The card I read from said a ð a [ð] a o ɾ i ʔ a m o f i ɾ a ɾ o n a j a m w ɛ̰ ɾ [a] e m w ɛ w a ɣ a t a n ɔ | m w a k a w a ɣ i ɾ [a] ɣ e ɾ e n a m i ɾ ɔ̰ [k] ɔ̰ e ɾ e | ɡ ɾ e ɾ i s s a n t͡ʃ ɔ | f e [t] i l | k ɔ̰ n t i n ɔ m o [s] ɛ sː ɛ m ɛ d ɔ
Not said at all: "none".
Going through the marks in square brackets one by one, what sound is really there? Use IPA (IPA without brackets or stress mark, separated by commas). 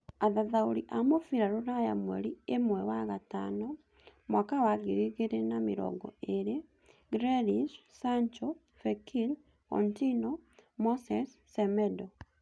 ð, i, i, ɡ, k, s